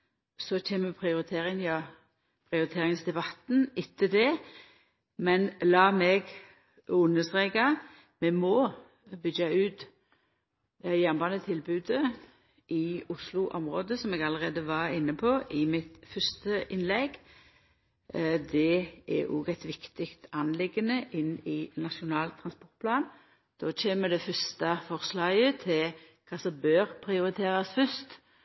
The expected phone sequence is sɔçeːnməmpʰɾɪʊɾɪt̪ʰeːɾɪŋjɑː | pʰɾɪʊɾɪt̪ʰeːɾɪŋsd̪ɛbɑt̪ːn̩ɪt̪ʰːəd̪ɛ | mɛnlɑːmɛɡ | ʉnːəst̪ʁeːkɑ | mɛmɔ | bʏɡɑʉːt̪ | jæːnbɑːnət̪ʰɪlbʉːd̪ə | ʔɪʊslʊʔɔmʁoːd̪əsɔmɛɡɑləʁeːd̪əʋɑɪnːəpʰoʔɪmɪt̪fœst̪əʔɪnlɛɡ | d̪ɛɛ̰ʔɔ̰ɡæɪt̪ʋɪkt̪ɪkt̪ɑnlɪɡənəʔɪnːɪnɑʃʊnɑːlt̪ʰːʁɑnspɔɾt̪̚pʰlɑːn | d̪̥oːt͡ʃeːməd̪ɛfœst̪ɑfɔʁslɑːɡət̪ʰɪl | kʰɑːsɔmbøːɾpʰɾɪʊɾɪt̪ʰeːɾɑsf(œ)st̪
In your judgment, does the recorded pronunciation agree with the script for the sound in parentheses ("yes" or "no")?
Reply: yes